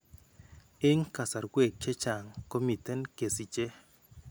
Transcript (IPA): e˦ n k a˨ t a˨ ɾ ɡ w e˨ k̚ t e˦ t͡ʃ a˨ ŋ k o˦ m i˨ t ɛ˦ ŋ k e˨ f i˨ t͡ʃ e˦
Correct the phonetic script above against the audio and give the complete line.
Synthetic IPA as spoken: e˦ ŋ k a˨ s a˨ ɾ ɡ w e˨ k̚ t͡ʃ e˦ t͡ʃ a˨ ŋ k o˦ m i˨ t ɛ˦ n k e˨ s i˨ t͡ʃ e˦